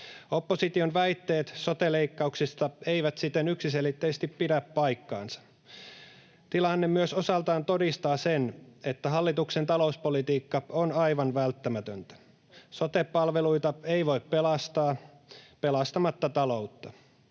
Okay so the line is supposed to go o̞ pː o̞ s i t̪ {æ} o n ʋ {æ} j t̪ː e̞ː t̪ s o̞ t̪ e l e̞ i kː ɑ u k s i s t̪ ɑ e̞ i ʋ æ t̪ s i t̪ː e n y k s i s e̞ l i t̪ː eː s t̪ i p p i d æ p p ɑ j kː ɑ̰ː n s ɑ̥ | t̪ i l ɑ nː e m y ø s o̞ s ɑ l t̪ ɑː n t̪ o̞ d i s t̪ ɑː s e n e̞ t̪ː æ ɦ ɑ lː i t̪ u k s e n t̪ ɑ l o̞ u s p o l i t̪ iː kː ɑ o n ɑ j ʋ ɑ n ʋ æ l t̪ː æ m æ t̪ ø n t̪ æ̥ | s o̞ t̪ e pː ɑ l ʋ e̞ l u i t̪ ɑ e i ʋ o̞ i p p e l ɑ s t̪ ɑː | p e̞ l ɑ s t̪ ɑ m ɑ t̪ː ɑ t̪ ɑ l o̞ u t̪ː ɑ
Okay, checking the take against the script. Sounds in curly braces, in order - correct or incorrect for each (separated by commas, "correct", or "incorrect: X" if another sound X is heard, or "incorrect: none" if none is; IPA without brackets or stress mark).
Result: incorrect: i, correct